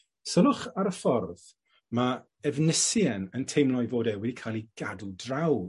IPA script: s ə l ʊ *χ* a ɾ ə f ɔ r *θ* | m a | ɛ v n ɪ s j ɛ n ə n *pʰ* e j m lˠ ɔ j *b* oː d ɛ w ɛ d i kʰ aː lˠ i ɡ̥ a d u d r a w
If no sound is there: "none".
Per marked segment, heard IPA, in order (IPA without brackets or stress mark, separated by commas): χ, ð, tʰ, v